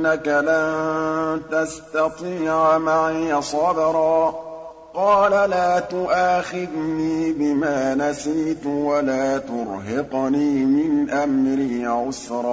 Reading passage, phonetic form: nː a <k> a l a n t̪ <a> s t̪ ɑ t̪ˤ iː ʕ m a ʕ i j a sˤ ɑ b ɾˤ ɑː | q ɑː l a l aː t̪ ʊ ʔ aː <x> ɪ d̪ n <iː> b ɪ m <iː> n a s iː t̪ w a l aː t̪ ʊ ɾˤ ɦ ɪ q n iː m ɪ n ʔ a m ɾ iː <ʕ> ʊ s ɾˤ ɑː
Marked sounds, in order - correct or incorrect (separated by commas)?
correct, correct, correct, correct, incorrect, correct